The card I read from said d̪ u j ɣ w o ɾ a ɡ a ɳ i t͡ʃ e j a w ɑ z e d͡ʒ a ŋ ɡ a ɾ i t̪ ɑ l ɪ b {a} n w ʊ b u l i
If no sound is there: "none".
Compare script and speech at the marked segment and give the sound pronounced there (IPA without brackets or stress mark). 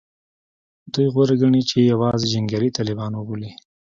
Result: ɑ